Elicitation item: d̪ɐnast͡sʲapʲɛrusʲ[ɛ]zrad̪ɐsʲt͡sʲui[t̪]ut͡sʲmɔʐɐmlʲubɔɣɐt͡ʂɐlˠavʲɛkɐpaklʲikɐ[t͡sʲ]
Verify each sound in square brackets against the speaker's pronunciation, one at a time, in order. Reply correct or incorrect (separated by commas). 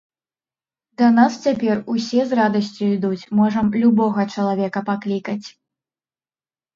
correct, incorrect, correct